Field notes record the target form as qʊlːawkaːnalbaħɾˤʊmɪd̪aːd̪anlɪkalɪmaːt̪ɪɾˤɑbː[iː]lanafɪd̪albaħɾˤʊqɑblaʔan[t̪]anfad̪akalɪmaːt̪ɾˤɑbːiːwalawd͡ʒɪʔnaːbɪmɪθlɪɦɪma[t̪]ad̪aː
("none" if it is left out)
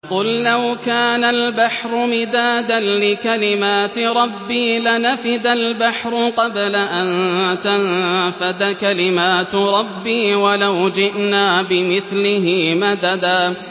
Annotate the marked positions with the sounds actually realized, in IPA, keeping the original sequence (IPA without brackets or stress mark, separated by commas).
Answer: iː, t̪, d̪